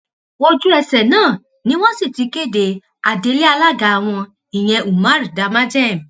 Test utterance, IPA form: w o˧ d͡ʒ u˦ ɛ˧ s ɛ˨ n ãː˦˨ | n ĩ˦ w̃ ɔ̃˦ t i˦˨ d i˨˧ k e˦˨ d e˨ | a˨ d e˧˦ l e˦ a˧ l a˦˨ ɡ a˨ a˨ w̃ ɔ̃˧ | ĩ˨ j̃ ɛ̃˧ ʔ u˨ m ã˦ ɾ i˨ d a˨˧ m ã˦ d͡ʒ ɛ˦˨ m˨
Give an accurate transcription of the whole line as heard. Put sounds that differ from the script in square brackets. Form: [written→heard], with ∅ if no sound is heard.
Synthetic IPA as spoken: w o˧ d͡ʒ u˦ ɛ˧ s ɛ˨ n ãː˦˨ | n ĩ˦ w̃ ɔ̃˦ [t→s] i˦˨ [d→t] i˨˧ k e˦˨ d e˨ | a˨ d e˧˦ l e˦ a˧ l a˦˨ ɡ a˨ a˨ w̃ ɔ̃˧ | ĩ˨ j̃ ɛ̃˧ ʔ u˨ m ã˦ ɾ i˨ d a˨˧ m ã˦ d͡ʒ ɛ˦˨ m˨

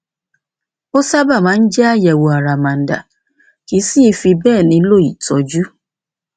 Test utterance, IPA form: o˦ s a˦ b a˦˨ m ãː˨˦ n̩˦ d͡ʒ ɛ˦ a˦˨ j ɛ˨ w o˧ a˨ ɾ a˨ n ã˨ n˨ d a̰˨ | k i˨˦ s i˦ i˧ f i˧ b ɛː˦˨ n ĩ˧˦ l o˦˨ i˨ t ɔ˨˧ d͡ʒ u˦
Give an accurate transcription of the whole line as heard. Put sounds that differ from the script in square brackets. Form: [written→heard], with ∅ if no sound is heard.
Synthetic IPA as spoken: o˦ s a˦ b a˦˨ m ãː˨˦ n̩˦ d͡ʒ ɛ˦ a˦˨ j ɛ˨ w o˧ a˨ ɾ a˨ [n→m] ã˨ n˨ d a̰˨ | k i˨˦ s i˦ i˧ f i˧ b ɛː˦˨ n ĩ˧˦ l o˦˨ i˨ t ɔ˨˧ d͡ʒ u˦

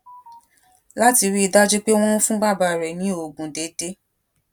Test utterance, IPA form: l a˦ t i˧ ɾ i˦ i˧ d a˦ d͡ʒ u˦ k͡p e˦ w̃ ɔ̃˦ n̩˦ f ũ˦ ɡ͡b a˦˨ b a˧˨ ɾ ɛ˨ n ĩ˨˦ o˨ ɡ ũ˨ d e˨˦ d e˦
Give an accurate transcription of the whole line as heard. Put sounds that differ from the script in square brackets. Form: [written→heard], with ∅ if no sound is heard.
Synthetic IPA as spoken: l a˦ t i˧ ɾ i˦ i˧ d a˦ d͡ʒ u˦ k͡p e˦ w̃ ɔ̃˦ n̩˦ f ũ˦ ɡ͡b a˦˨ b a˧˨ ɾ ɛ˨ n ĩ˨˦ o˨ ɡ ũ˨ d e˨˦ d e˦

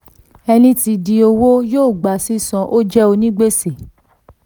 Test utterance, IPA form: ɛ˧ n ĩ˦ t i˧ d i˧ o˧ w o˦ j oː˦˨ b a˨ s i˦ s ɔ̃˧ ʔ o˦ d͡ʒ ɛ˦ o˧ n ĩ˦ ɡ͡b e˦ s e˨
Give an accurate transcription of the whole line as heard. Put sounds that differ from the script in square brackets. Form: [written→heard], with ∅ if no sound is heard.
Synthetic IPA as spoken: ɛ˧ n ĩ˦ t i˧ d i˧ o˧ w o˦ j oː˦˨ [b→ɡ͡b] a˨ s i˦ s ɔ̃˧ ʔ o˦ d͡ʒ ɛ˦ o˧ n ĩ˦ ɡ͡b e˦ s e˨

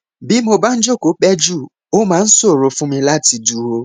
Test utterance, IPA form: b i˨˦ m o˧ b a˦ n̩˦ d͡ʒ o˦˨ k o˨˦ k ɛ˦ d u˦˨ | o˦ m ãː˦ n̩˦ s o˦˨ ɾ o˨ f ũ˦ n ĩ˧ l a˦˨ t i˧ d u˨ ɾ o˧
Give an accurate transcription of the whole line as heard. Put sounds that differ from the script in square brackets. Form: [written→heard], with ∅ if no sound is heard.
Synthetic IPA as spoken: b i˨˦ m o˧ b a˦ n̩˦ d͡ʒ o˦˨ k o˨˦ [k→k͡p] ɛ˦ [d→d͡ʒ] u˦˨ | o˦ m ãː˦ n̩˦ s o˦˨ ɾ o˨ f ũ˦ [n→m] ĩ˧ l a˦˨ t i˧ d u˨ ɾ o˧

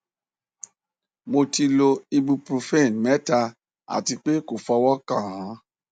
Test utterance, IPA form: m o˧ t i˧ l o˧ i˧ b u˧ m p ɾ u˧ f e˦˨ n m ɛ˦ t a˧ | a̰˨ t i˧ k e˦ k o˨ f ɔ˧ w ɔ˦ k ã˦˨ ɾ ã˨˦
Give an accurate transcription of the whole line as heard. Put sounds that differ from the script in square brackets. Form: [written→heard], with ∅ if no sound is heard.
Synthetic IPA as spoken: m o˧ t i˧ l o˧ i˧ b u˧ [m→∅] p ɾ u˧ f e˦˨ n m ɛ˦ t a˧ | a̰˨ t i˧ [k→k͡p] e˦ k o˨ f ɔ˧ w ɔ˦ k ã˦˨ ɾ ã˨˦

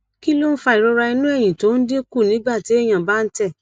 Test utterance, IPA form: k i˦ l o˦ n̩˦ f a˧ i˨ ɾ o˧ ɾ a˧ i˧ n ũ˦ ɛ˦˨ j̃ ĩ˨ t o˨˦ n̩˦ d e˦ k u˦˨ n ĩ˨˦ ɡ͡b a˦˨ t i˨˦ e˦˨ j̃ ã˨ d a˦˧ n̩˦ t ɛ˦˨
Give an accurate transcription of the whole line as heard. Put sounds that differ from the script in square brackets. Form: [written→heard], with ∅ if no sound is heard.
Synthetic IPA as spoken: k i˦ l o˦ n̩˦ f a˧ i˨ ɾ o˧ ɾ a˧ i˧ n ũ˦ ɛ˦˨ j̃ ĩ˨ t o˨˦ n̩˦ d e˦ k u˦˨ n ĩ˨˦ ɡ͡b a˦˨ t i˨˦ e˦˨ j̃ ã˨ [d→b] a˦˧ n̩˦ t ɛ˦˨

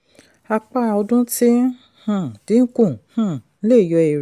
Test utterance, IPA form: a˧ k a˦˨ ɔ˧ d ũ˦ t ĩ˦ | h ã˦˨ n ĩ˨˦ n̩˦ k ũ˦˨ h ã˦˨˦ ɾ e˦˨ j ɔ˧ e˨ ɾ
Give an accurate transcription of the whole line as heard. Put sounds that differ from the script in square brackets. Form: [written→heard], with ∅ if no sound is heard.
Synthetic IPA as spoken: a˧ [k→k͡p] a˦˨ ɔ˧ d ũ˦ t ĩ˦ | h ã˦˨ [n→d] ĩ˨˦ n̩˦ k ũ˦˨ h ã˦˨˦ [ɾ→l] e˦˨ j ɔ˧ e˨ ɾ

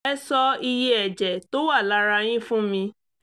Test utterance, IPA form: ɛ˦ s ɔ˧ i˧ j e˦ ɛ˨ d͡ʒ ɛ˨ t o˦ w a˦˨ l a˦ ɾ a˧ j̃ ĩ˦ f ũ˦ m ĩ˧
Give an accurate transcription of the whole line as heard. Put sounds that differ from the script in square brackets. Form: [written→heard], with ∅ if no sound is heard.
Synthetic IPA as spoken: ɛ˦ s ɔ˧ i˧ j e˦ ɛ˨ d͡ʒ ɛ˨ t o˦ w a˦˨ l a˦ ɾ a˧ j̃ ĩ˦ f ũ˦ m ĩ˧

